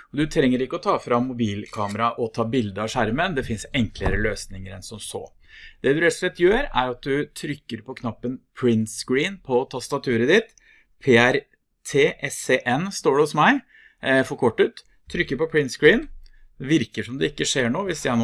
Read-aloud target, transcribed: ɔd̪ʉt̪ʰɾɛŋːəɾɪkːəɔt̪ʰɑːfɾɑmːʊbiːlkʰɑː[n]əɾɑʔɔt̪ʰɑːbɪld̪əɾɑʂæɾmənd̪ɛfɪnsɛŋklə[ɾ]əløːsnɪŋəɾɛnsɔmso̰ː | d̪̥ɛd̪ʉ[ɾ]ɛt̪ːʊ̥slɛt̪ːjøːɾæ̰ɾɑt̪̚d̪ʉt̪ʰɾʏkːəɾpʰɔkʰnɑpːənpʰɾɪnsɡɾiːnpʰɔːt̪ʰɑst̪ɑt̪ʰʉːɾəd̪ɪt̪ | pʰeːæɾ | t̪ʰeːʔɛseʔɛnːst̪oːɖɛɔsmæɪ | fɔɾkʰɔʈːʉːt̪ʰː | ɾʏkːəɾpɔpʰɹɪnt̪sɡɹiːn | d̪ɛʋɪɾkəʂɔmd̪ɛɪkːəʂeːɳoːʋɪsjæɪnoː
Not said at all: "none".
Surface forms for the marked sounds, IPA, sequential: m, ɾ, ɾ

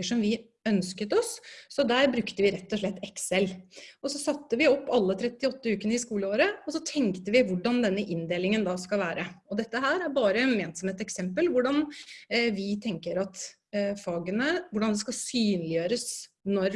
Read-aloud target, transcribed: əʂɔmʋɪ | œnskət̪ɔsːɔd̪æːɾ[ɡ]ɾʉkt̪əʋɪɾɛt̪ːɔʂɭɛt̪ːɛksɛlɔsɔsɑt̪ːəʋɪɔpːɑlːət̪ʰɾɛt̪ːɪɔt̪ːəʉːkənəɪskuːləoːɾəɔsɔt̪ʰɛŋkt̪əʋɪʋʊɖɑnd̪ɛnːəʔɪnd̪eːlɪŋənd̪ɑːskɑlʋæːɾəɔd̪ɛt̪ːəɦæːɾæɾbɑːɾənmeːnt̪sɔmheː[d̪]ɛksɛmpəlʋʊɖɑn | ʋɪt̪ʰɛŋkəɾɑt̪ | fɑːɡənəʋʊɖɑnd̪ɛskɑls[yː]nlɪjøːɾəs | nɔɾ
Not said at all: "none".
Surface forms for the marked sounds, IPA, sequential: b, t̪, yː

